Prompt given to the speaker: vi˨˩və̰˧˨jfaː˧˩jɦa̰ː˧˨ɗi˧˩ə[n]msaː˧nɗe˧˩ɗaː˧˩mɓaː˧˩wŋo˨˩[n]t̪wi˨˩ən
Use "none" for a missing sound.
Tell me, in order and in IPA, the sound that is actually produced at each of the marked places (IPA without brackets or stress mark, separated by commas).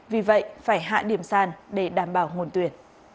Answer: none, n